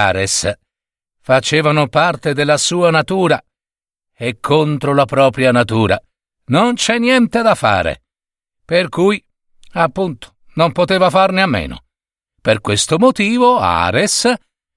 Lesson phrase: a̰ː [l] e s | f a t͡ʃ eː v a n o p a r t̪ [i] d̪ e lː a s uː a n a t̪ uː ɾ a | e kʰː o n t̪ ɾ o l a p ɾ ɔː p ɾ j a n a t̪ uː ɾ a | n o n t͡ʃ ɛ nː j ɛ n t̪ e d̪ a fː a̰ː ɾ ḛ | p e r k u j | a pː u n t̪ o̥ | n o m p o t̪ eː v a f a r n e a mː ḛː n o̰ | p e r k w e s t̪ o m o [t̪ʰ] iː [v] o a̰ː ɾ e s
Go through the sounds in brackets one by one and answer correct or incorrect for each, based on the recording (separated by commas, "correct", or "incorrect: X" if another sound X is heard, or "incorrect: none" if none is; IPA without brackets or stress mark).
incorrect: ɾ, incorrect: e, incorrect: t̪, correct